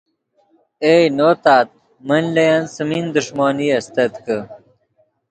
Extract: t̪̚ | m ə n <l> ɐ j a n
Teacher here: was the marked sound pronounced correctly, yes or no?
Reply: yes